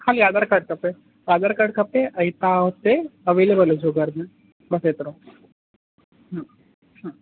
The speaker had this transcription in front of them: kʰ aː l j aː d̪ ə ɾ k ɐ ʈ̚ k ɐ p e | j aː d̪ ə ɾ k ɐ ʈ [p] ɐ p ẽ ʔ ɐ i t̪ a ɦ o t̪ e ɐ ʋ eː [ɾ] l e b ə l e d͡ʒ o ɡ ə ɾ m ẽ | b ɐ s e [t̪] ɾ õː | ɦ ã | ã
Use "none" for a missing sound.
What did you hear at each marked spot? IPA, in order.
k, none, t̪

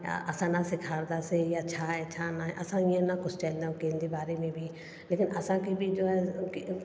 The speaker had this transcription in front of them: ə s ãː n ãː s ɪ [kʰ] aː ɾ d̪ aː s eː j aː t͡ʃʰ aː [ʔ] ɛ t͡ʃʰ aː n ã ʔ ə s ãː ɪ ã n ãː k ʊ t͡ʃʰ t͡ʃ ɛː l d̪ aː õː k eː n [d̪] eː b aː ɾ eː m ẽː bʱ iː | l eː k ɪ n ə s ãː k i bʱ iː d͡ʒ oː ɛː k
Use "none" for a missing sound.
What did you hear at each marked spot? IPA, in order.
kʰ, none, d̪

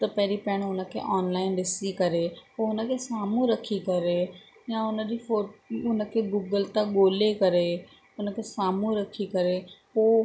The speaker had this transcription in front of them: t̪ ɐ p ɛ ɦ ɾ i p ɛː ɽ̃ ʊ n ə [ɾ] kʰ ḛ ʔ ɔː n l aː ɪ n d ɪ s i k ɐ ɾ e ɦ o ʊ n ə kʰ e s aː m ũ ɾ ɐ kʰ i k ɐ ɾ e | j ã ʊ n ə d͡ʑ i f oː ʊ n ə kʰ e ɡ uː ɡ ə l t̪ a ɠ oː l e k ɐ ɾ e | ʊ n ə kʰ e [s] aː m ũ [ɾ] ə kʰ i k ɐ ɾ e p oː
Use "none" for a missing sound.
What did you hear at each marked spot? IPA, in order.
none, s, ɾ

